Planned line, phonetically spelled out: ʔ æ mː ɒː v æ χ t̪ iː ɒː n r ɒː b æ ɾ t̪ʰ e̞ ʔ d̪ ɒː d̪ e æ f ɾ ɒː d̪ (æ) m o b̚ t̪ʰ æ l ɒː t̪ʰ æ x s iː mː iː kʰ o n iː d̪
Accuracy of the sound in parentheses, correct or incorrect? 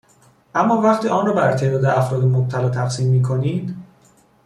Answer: incorrect: e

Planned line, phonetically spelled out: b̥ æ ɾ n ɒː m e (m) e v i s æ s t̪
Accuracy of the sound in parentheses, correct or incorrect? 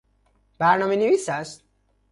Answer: incorrect: n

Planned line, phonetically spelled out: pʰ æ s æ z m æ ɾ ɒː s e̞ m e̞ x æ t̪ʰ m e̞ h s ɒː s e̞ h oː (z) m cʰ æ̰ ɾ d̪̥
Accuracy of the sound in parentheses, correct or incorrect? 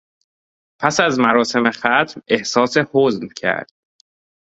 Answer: correct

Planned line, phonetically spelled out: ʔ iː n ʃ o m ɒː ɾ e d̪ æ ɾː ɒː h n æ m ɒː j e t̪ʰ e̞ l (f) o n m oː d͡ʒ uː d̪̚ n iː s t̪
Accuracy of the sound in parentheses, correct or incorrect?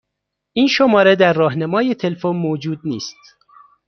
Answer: correct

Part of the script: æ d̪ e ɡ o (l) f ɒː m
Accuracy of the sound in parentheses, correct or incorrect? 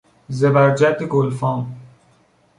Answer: correct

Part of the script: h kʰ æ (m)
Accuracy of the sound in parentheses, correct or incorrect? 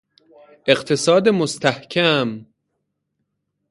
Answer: correct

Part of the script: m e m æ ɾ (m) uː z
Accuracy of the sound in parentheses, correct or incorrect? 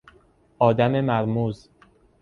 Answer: correct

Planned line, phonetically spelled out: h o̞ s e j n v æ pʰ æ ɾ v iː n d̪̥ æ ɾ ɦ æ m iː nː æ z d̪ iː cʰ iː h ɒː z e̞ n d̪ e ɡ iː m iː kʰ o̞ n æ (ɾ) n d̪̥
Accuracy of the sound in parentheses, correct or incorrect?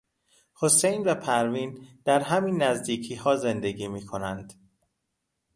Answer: incorrect: none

